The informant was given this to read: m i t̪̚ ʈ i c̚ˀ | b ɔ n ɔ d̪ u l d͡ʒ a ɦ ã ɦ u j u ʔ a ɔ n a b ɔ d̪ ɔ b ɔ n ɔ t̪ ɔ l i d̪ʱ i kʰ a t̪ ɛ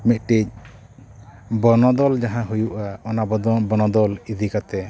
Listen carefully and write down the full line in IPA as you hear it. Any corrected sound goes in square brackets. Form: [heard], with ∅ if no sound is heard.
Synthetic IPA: m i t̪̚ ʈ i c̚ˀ | b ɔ n ɔ d̪ [ɔ] l d͡ʒ a ɦ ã ɦ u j u ʔ a ɔ n a b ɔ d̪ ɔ b ɔ n ɔ [d̪] ɔ l i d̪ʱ i [k] a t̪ ɛ